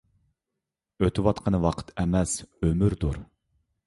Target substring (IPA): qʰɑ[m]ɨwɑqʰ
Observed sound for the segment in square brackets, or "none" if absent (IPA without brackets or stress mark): n